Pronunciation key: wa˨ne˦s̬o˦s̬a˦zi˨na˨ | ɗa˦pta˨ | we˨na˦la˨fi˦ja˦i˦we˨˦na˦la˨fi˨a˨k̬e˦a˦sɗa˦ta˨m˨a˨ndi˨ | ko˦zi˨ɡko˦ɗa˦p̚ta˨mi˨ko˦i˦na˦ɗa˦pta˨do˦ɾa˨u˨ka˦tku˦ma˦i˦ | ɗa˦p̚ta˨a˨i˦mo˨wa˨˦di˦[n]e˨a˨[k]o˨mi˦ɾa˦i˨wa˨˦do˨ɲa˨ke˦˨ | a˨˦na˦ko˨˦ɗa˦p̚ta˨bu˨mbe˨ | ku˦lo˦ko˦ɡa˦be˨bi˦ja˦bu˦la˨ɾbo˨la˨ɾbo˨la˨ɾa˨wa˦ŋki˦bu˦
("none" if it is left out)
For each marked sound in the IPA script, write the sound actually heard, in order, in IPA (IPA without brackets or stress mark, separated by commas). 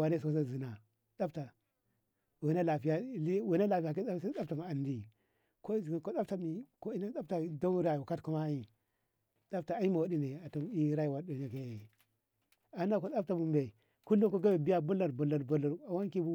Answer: n, t